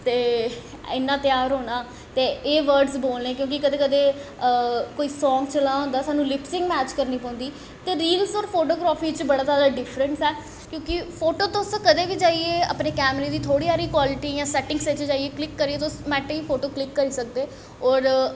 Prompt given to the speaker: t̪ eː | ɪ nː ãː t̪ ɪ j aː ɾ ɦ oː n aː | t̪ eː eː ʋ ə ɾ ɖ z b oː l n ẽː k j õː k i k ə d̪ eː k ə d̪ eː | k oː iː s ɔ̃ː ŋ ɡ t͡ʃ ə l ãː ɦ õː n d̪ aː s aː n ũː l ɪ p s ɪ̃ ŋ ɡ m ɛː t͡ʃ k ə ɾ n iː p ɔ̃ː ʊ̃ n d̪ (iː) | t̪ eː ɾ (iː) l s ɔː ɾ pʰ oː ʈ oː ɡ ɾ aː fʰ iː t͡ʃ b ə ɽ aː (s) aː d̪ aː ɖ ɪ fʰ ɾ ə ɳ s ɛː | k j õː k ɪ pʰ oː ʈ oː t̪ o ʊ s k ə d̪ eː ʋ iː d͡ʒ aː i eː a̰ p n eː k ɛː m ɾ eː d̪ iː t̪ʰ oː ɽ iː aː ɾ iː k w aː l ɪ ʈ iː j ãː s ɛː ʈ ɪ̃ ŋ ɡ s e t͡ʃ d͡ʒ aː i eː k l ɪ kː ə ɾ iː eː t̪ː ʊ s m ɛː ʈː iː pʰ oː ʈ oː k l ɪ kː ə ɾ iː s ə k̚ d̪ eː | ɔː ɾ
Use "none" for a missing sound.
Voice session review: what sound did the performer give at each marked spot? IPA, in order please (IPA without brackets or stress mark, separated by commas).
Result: iː, iː, z